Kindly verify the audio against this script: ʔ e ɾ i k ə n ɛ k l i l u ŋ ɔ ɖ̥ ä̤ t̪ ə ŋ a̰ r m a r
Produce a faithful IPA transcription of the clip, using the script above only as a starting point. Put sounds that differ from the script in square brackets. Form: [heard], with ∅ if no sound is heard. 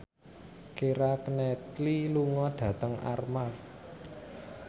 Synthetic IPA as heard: [k] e ɾ [a] k ə n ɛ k l i l u ŋ ɔ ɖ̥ ä̤ t̪ ə ŋ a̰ r m a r

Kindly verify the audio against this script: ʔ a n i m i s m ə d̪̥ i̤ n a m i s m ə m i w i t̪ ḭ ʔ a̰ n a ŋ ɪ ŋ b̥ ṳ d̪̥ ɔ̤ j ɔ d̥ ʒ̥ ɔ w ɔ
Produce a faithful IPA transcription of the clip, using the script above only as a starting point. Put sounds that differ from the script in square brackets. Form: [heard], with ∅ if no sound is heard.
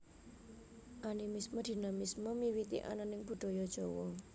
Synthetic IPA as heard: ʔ a n i m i s m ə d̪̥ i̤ n a m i s m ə m i w i t̪ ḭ ʔ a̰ n a [n] ɪ ŋ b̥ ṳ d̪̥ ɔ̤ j ɔ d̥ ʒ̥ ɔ w ɔ

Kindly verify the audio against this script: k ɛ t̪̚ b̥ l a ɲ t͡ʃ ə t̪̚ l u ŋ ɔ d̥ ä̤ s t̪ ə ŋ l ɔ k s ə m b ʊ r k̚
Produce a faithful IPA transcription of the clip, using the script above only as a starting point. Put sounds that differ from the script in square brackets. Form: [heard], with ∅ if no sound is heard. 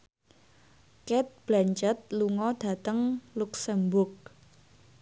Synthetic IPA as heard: k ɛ t̪̚ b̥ l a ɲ t͡ʃ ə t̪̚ l u ŋ ɔ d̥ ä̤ [∅] t̪ ə ŋ l [u] k s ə m b ʊ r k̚

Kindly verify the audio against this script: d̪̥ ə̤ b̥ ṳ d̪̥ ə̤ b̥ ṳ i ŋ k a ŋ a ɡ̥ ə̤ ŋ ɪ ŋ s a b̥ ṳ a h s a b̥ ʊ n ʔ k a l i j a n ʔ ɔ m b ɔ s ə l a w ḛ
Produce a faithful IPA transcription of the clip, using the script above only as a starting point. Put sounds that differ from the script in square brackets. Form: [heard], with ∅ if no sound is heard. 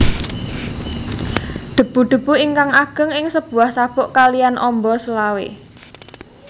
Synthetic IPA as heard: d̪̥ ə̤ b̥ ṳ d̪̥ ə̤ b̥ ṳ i ŋ k a ŋ a ɡ̥ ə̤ ŋ ɪ ŋ s [ə] b̥ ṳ a h s a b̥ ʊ [∅] ʔ k a l i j a n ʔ ɔ m b ɔ s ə l a w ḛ

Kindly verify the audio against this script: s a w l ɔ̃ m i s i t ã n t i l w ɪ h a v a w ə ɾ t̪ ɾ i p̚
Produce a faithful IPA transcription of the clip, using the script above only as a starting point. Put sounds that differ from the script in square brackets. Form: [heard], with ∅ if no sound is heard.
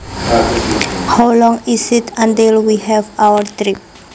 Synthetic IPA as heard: [h] a w l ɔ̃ [ŋ] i s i t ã n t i l w [i] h [ɛ] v a w ə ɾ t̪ ɾ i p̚

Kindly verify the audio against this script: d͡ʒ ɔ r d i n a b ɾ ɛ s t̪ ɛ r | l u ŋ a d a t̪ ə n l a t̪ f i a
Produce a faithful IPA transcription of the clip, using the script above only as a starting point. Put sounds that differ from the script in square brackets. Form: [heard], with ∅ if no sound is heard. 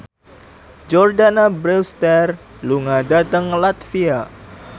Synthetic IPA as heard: d͡ʒ ɔ r d [a] n a b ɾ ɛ s t̪ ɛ r | l u ŋ a d a t̪ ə [ŋ] l a t̪ f i a

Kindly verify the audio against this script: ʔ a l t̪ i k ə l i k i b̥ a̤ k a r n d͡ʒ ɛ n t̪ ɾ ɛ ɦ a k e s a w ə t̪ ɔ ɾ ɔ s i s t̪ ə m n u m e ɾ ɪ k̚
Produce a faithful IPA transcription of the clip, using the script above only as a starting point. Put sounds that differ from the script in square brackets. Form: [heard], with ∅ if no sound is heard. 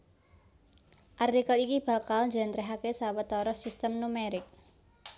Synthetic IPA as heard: ʔ a [r] t̪ i k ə l i k i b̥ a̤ k a [l] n d͡ʒ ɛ n t̪ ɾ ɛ ɦ a k e s a w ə t̪ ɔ ɾ ɔ s i s t̪ ə m n u m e ɾ ɪ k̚

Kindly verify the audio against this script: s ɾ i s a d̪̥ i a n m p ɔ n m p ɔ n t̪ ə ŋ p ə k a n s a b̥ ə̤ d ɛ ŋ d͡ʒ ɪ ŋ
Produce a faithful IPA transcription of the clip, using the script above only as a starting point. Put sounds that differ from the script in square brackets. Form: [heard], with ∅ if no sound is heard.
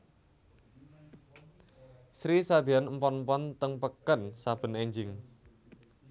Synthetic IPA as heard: s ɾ i s a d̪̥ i a n m p ɔ n m p ɔ n t̪ ə ŋ p ə k [ə] n s a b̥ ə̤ [n] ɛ [ɲ] d͡ʒ ɪ ŋ

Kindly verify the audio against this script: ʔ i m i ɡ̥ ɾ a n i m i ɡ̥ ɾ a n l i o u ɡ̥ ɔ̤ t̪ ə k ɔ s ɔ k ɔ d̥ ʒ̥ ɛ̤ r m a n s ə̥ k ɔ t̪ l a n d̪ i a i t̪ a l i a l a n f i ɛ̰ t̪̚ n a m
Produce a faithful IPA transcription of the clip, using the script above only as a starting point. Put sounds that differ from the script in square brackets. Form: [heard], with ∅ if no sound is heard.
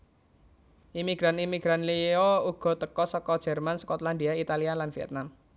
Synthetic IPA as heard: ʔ i m i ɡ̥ ɾ a n i m i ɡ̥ ɾ a n l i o u ɡ̥ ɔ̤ t̪ ə k ɔ s ɔ k ɔ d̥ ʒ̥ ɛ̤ r m a n s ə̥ k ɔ t̪ l a n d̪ i a i t̪ a l i a l a n f i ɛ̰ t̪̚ n a m

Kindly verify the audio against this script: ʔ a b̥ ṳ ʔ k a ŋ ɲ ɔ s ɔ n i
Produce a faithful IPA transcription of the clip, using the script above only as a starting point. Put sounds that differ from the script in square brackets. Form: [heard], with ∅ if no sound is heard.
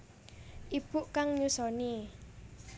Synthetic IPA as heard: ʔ [i] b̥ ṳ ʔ k a ŋ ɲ [u] s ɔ n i

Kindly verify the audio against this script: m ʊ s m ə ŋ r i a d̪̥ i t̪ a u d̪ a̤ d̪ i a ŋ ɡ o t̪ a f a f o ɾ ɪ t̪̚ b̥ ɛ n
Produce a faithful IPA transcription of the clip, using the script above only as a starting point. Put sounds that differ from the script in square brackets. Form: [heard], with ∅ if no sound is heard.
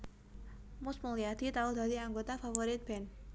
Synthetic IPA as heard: m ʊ s m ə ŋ [l] i a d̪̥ i t̪ a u d̪ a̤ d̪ i a ŋ ɡ o t̪ a f a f o ɾ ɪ t̪̚ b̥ ɛ n

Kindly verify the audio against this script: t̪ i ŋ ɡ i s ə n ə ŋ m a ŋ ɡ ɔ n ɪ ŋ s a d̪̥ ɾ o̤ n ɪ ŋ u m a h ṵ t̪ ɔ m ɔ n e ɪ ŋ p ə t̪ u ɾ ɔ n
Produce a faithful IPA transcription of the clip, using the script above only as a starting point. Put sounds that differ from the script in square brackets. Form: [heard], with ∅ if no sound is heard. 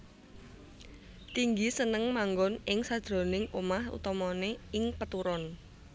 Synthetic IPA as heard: t̪ i ŋ ɡ i s ə n ə ŋ m a ŋ ɡ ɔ n ɪ ŋ s a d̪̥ ɾ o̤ n ɪ ŋ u m a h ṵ t̪ ɔ m ɔ n e ɪ ŋ p ə t̪ u ɾ ɔ n

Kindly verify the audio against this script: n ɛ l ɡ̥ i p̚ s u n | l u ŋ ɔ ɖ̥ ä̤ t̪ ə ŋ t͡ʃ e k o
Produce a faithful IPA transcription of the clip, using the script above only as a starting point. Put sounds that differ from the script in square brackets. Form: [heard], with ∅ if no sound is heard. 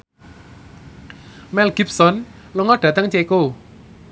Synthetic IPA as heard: [m] ɛ l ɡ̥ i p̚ s [ɔ] n | l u ŋ ɔ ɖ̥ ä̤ t̪ ə ŋ t͡ʃ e k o

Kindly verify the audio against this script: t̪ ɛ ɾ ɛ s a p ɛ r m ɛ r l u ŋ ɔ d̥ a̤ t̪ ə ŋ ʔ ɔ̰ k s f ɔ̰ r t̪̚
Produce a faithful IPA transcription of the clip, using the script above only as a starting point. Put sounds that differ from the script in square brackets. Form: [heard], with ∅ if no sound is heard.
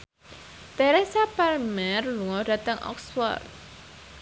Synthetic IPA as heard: t̪ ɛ ɾ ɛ s a p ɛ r m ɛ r l u ŋ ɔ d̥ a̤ t̪ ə ŋ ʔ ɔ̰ k s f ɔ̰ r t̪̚

